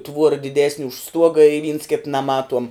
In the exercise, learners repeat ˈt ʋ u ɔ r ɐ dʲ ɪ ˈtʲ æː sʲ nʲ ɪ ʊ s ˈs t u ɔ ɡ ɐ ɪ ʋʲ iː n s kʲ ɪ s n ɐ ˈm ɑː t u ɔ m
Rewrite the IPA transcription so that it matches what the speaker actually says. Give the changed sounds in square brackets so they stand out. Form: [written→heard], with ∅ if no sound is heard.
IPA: ˈt ʋ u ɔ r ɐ dʲ ɪ [ˈtʲ→ˈdʲ] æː sʲ nʲ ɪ ʊ [s→ʃ] ˈs t u ɔ ɡ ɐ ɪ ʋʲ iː n s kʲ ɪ [s→t] n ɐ ˈm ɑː t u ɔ m